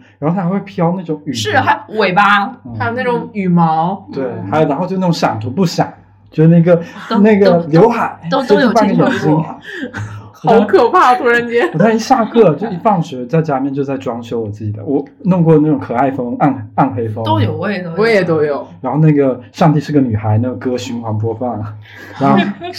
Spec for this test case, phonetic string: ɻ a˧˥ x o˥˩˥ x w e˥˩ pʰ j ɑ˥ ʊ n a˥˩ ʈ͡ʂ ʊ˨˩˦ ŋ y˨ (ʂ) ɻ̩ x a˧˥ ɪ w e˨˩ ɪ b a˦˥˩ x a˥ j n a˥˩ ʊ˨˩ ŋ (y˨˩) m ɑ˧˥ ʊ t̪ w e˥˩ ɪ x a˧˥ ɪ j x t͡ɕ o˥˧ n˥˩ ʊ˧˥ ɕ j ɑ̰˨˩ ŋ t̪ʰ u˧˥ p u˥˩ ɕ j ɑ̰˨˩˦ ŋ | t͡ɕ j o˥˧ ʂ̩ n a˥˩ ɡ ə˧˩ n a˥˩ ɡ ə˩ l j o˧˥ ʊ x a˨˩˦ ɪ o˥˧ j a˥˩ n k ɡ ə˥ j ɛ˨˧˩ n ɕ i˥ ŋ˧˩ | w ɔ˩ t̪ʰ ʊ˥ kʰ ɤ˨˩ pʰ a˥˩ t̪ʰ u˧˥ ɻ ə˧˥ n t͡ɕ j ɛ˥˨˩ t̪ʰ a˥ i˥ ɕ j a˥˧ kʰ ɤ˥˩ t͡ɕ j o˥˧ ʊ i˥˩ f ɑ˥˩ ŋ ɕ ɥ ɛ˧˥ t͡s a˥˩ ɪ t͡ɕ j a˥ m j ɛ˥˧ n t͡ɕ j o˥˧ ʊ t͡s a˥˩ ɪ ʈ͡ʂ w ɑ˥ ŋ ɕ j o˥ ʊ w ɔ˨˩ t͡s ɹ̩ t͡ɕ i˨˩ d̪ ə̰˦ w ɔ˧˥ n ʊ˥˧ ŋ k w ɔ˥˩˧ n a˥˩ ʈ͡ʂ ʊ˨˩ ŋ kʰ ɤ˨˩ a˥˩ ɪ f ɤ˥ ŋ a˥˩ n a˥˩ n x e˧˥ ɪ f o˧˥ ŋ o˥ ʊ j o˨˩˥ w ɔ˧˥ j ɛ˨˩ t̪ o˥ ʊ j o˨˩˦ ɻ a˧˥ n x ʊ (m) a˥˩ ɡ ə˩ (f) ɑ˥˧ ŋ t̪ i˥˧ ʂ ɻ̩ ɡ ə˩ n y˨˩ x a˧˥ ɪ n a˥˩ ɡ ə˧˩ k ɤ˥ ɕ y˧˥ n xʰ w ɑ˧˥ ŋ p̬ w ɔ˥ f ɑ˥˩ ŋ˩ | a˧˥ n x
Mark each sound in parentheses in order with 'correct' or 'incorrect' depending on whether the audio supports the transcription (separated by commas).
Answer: correct, correct, incorrect, incorrect